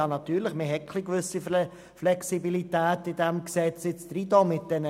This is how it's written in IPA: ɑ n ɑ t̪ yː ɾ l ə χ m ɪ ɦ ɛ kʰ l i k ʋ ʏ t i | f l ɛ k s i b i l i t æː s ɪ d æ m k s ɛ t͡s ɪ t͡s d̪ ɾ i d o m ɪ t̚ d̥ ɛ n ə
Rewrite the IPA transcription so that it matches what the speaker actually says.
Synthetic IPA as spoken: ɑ n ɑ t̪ yː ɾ l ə χ m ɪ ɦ ɛ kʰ l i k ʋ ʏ s i | f l ɛ k s i b i l i t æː t ɪ d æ m k s ɛ t͡s ɪ t͡s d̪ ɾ i d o m ɪ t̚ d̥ ɛ n ə